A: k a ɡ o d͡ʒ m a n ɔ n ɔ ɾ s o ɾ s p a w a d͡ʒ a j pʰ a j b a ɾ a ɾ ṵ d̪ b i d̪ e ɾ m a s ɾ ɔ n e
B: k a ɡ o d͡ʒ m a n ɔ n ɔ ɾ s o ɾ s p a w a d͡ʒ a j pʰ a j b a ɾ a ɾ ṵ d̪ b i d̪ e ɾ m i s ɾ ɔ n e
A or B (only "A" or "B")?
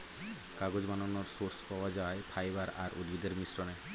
B